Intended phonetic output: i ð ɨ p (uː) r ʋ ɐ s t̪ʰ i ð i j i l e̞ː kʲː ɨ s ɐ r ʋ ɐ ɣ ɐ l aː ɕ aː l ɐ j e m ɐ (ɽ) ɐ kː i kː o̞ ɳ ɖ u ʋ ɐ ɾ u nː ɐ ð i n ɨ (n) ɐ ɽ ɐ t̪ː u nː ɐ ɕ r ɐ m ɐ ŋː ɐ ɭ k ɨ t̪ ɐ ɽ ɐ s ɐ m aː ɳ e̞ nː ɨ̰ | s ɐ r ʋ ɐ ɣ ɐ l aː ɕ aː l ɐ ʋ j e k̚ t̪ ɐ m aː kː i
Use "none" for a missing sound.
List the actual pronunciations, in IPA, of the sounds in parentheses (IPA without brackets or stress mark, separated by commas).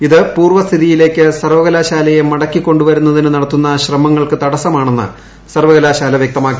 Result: uː, ɽ, n